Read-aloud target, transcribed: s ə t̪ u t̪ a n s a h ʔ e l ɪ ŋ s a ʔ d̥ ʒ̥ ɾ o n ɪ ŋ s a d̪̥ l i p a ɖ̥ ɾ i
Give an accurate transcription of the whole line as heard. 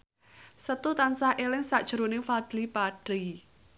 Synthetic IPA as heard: s ə t̪ u t̪ a n s a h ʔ e l ɪ ŋ s a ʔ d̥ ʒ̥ ɾ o n ɪ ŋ f a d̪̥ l i p a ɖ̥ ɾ i